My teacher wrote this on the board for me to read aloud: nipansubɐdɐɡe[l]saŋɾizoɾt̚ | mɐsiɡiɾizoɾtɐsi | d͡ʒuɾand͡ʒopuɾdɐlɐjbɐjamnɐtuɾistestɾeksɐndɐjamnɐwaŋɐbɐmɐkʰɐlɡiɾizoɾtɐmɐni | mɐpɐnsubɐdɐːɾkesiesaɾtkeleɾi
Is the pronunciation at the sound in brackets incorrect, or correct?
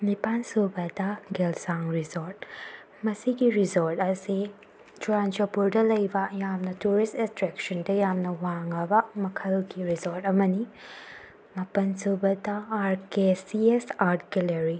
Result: correct